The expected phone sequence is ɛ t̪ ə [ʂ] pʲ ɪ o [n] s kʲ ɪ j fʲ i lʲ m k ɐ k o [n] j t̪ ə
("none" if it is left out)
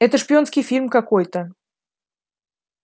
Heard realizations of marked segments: ʂ, n, none

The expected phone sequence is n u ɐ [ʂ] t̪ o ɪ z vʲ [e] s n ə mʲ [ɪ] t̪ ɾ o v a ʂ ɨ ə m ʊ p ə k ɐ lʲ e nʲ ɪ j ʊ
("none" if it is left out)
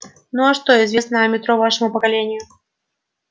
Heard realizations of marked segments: ʂ, e, ɪ

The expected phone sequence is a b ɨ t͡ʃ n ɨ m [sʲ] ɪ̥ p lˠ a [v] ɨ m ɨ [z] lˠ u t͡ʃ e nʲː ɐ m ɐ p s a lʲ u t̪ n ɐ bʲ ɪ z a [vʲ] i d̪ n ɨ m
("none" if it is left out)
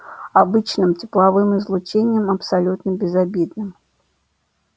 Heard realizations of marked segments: t͡sʲ, v, z, bʲ

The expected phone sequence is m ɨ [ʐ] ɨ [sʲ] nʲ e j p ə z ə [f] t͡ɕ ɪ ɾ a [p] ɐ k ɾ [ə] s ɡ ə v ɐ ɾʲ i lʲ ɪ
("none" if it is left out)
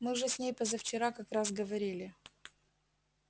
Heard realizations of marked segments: ʐ, sʲ, f, k, a

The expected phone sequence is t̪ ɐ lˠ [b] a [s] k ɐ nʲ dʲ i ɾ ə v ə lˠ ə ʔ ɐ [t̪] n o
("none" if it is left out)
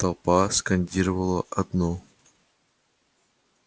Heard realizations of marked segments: p, s, d̪

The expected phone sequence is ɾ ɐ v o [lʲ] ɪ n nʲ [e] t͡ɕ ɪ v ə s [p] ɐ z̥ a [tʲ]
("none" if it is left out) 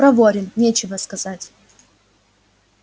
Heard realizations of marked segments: ɾʲ, e, k, tʲ

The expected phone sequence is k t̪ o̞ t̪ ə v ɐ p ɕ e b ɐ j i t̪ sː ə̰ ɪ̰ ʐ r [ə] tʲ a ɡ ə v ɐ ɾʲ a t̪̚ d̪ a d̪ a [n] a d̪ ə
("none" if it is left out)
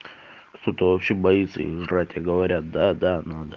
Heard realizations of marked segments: a, n

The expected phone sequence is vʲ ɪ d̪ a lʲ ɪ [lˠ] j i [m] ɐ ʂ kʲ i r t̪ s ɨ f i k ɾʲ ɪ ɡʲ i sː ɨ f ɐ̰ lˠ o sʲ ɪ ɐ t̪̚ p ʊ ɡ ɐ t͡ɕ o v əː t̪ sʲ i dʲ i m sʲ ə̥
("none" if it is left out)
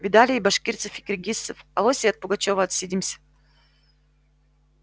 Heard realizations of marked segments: none, b

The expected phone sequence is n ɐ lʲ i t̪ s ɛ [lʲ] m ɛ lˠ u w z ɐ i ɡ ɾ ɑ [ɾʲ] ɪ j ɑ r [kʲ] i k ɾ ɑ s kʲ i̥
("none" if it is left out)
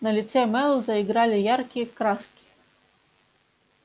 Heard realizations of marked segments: none, lʲ, kʲ

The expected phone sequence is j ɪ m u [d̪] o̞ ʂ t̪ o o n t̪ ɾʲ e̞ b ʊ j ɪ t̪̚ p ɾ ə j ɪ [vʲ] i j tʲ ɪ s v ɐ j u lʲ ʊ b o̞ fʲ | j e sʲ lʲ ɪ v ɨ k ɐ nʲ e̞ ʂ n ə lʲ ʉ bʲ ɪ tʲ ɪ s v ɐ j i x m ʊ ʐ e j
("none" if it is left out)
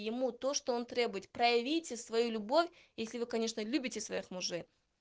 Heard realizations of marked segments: t̪, vʲ

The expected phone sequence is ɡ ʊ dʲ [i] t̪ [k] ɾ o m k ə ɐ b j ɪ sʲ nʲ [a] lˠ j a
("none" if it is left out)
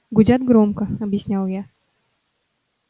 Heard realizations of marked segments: a, ɡ, a

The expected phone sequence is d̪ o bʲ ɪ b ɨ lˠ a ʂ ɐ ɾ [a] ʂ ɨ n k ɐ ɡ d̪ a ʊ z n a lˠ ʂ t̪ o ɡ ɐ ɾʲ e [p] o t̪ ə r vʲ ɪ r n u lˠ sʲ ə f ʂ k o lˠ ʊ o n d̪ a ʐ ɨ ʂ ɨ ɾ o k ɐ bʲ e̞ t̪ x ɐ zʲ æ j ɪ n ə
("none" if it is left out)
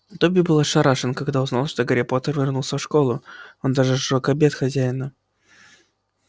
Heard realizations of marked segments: a, p

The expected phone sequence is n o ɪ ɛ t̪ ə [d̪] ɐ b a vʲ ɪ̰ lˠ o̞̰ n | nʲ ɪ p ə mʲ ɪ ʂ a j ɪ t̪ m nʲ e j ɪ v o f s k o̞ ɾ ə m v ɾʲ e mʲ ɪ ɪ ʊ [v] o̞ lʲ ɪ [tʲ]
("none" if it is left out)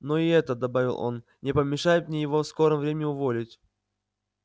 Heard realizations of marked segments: d̪, v, tʲ

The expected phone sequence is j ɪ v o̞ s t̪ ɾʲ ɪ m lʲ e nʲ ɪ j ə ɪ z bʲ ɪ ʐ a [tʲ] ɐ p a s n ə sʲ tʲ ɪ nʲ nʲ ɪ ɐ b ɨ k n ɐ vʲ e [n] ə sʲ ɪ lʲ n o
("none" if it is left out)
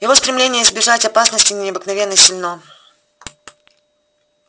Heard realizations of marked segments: tʲ, nː

